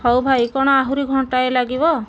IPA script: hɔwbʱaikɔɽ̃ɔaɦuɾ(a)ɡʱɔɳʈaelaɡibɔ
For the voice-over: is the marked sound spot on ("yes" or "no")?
no